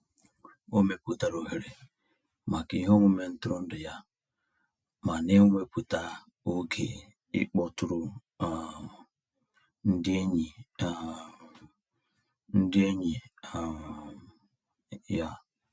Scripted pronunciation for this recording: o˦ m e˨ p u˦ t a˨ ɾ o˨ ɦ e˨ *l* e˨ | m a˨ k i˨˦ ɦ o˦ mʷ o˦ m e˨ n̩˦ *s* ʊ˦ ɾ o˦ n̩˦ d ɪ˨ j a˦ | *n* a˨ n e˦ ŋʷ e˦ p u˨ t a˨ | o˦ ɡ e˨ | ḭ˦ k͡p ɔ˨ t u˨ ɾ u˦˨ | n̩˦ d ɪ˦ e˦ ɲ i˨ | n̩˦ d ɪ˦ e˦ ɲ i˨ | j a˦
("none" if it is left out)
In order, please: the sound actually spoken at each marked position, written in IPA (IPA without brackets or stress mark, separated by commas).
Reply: ɾ, t, m